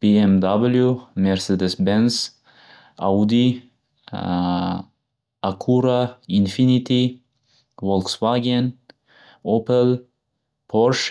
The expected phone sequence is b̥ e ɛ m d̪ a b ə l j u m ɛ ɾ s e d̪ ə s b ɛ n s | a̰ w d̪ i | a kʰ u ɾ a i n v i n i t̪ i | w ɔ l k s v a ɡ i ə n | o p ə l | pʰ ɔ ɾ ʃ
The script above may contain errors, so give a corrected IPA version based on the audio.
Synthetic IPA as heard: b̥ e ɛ m d̪ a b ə l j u m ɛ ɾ s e d̪ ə s b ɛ n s | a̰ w d̪ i | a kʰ u ɾ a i n f i n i t̪ i | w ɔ l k s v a ɡ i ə n | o p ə l | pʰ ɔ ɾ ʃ

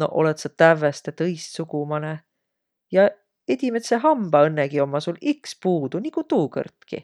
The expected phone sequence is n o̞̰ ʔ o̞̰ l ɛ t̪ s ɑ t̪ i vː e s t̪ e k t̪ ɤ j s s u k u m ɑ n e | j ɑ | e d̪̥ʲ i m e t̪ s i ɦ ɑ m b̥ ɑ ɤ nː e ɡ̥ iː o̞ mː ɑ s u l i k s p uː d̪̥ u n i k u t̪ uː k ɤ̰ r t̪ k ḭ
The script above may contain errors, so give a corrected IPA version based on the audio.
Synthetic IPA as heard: n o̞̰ ʔ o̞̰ l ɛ t̪ s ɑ t̪ æ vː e s t̪ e t̪ ɤ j s s u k u m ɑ n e | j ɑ | e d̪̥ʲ i m e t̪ s e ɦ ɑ m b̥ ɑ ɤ nː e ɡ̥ i o̞ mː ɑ s u l i k s p uː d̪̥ u n i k u t̪ uː k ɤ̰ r t̪ k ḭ

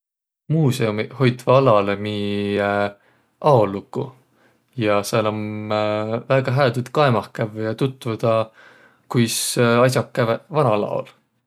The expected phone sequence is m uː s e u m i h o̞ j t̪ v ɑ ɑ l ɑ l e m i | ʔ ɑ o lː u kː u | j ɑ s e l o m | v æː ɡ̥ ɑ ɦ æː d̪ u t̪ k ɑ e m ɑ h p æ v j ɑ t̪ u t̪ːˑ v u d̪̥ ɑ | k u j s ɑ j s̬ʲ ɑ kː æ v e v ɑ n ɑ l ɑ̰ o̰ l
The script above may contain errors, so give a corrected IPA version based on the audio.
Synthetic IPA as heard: m uː s e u m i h o̞ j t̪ v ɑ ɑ l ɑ l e m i | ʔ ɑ o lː u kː u | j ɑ s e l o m | v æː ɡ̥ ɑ ɦ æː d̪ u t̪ k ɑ e m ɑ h k æ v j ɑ t̪ u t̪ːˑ v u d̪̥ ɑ | k u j s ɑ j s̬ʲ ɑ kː æ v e v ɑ n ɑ l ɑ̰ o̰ l

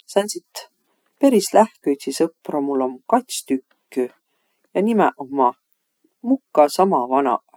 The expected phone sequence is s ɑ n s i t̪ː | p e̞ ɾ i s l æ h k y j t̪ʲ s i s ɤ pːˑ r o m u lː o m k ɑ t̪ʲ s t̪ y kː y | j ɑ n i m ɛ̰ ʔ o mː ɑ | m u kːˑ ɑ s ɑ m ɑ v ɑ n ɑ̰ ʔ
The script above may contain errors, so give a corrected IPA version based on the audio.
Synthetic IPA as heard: s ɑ n s i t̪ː | p e̞ ɾ i s l æ h k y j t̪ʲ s i s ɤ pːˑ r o m u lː o m k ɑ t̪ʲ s t̪ y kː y | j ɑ n i m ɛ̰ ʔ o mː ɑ | m u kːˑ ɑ s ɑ m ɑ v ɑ n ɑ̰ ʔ

